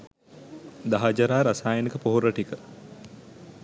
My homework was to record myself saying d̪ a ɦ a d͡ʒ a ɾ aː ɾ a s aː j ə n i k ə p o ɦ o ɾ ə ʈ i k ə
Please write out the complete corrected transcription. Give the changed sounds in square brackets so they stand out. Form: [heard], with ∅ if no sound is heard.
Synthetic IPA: d̪ a ɦ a d͡ʒ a ɾ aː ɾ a s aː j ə n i k ə p o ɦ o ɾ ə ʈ i k ə